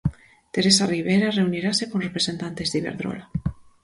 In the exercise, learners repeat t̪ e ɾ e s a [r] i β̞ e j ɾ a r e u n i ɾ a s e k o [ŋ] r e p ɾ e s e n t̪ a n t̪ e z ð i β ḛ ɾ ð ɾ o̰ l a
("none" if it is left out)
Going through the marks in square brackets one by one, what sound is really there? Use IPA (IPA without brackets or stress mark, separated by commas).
r, n